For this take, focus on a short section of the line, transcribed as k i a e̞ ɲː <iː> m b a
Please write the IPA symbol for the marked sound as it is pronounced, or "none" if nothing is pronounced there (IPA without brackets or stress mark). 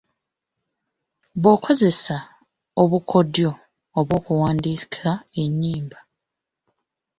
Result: iː